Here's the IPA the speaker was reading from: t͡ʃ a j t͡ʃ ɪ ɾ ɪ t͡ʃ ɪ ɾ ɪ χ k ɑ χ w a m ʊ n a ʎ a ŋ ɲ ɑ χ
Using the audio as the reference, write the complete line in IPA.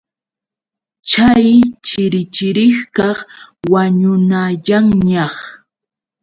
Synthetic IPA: t͡ʃ a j t͡ʃ ɪ ɾ ɪ t͡ʃ ɪ ɾ ɪ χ k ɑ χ w a ɲ ʊ n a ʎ a ŋ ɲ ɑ χ